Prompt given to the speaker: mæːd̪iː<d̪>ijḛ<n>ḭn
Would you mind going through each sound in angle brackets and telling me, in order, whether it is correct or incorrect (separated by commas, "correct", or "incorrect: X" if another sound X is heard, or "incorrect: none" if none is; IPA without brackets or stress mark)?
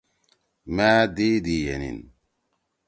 correct, correct